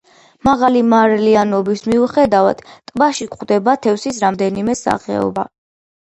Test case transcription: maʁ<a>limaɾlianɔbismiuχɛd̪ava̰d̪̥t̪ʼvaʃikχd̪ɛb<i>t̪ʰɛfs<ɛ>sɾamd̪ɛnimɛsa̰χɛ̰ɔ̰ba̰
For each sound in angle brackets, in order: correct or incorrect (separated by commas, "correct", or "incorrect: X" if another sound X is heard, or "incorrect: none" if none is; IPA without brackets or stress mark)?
correct, incorrect: a, incorrect: i